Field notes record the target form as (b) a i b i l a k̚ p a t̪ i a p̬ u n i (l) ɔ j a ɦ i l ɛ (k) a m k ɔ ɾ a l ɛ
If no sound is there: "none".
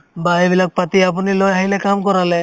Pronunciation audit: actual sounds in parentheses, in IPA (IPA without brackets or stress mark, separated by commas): b, l, k